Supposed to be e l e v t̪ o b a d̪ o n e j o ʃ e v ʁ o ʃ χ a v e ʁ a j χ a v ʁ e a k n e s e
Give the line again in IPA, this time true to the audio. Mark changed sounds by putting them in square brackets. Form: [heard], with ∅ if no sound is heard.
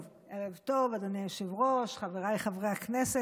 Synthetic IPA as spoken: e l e v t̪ o [v] a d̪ o n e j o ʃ e v ʁ o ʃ χ a v e ʁ a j χ a v ʁ e a k n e s e